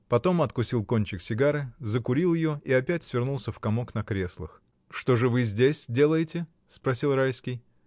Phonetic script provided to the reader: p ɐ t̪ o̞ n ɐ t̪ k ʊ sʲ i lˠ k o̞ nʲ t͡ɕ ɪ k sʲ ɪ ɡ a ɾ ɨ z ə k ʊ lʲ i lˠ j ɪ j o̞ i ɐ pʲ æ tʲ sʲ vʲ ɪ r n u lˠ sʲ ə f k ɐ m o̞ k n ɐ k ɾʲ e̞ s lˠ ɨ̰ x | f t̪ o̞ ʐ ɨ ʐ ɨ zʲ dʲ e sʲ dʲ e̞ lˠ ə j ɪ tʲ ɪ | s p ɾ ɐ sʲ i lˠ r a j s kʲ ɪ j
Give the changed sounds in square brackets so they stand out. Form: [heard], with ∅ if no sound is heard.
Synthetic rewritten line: p ɐ t̪ o̞ [m] ɐ t̪ k ʊ sʲ i lˠ k o̞ nʲ t͡ɕ ɪ k sʲ ɪ ɡ a ɾ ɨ z ə k ʊ [ɾʲ] i lˠ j ɪ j o̞ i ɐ pʲ æ tʲ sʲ vʲ ɪ r n u lˠ sʲ ə f k ɐ m o̞ k n ɐ k ɾʲ e̞ s lˠ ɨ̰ x | [ʂ] t̪ o̞ ʐ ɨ [v] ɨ zʲ dʲ e sʲ dʲ e̞ lˠ ə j ɪ tʲ ɪ | s p ɾ ɐ sʲ i lˠ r a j s kʲ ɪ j